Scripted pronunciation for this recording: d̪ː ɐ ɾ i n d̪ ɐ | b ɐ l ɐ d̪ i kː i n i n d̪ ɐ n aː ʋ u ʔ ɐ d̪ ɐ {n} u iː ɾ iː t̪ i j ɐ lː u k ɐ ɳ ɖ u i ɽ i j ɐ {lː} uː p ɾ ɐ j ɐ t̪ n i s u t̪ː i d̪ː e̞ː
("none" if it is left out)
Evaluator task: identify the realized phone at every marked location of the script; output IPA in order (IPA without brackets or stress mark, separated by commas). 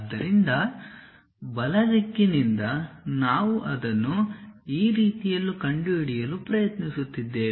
nː, l